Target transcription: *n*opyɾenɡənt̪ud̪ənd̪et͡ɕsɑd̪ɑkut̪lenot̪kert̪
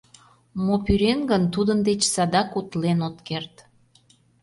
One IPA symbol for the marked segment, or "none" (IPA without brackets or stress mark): m